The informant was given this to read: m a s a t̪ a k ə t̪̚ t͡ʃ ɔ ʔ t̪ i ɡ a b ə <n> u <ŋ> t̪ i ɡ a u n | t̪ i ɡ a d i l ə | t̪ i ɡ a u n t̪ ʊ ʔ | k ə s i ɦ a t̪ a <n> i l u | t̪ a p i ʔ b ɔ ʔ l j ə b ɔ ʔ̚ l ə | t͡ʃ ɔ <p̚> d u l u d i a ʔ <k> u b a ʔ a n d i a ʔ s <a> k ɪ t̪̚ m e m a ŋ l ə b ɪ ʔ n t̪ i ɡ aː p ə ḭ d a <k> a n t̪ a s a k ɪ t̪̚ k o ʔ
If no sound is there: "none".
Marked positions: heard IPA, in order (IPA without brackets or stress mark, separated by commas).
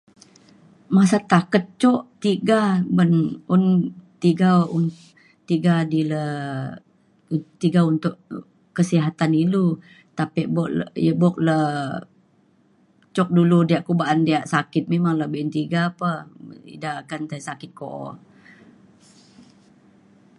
n, n, n, k̚, k, a, k